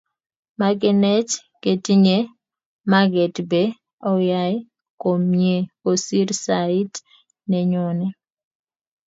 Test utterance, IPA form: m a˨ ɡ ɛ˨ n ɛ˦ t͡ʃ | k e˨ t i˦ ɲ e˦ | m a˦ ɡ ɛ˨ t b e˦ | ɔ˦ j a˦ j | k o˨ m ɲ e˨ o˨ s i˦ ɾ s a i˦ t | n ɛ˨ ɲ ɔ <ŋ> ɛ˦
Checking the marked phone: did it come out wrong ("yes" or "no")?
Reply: yes